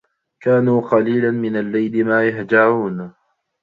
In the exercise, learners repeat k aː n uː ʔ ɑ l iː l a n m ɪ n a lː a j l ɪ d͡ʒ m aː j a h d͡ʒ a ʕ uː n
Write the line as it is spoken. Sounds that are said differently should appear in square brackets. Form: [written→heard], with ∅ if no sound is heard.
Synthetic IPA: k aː n uː [ʔ→q] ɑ l iː l a n m ɪ n a lː a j l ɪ [d͡ʒ→∅] m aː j a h d͡ʒ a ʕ uː n